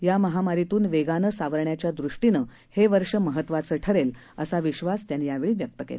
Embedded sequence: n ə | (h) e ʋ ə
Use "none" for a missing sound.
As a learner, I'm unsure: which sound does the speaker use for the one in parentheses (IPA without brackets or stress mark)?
h